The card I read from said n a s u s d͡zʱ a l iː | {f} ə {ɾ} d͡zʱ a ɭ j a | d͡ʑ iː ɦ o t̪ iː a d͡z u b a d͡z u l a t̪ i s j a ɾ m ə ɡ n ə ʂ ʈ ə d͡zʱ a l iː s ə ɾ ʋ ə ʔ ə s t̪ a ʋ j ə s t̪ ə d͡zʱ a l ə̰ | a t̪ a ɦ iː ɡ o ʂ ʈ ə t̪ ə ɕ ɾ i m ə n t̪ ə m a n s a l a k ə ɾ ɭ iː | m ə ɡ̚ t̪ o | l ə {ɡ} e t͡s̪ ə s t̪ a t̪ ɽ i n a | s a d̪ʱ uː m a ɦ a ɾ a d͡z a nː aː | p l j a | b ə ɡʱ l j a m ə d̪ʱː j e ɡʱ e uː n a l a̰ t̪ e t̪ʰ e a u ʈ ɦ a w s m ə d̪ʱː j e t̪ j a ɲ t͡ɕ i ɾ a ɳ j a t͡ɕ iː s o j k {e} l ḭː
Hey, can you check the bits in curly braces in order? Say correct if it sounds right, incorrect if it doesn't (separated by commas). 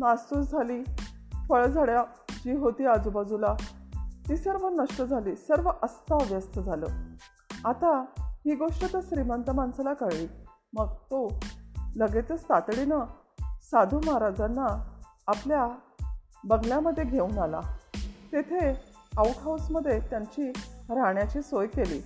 correct, incorrect, correct, correct